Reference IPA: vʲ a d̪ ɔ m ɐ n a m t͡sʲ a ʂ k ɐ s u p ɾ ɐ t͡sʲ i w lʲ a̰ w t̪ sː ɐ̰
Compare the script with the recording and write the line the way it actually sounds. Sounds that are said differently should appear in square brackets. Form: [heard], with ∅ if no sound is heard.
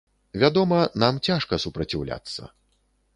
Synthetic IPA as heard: vʲ a d̪ ɔ m ɐ n a m t͡sʲ a ʂ k ɐ s u p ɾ ɐ t͡sʲ i w lʲ a̰ [∅] t̪ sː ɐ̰